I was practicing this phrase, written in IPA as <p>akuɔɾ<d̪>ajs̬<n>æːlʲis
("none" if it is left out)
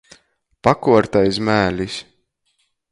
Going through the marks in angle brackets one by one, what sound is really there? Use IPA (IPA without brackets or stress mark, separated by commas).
p, t̪, m